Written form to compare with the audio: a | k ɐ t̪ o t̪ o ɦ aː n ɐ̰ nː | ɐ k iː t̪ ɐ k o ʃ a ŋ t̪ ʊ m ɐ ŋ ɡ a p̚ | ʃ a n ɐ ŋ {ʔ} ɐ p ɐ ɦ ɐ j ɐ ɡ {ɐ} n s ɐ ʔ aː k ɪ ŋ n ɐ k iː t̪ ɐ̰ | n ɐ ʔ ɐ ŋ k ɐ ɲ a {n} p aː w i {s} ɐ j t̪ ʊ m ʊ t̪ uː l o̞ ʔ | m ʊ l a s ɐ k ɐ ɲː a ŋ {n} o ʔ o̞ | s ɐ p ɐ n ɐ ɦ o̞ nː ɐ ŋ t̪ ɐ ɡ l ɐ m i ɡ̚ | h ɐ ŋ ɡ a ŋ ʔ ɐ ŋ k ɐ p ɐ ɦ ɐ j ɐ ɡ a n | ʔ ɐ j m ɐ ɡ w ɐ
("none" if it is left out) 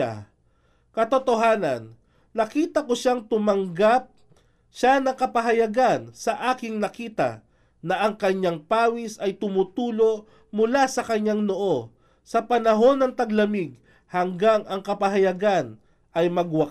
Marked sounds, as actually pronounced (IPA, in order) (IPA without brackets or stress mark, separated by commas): k, a, ŋ, s, n